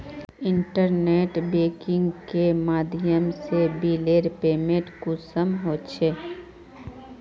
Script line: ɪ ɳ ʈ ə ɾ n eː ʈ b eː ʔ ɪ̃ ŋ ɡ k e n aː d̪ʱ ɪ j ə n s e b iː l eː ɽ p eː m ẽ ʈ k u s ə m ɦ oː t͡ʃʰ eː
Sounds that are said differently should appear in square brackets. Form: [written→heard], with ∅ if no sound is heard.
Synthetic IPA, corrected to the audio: ɪ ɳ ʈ ə ɾ n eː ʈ b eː [ʔ→k] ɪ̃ ŋ ɡ k e [n→m] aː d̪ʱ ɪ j ə [n→m] s e b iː l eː [ɽ→ɾ] p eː m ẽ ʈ k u s ə m ɦ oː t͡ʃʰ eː